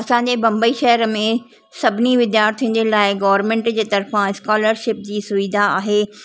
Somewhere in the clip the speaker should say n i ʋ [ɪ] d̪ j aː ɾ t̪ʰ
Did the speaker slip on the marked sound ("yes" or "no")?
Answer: no